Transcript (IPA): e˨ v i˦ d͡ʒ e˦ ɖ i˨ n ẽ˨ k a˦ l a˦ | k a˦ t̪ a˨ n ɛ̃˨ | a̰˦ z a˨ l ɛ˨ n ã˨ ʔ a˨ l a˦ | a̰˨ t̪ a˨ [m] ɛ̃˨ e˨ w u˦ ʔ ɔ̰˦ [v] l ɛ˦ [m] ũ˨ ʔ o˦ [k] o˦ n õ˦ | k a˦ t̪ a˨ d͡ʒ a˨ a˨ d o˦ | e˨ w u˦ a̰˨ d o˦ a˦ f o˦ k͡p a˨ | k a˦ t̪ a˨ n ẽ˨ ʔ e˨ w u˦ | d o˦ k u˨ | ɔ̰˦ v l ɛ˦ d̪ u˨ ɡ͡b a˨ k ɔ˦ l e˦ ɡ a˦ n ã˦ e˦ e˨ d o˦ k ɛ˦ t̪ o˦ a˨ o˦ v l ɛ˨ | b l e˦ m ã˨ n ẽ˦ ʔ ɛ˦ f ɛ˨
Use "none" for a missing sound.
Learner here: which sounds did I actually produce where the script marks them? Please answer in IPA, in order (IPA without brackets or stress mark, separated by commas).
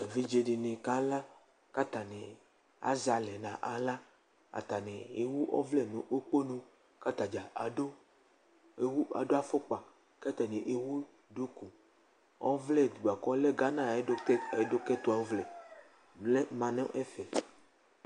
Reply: n, v, n, k͡p